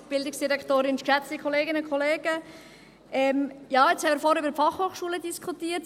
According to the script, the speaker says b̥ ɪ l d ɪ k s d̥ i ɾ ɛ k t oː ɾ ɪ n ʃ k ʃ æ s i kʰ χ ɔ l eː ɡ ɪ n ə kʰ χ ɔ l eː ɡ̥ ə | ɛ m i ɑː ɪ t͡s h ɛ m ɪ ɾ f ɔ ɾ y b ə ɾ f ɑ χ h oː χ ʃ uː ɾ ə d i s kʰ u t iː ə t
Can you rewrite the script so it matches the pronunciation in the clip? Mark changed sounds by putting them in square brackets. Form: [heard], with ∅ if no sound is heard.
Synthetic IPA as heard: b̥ ɪ l d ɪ k s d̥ i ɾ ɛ k t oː ɾ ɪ n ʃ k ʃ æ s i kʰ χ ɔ l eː ɡ ɪ n ə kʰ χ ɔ l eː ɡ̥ ə | ɛ m [j] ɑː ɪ t͡s h ɛ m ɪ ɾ f ɔ ɾ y b ə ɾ f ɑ χ h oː χ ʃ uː [l] ə d i s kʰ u t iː ə t